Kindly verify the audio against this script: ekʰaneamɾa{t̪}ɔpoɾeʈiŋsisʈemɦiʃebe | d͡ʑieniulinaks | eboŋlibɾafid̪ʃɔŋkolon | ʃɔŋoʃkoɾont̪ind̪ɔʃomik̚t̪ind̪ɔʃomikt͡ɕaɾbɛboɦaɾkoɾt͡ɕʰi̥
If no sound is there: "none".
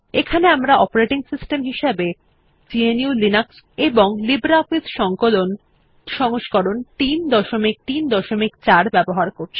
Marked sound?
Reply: none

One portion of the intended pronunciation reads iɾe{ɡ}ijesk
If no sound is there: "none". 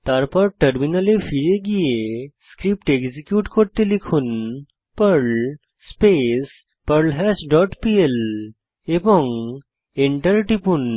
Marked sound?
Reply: ɡ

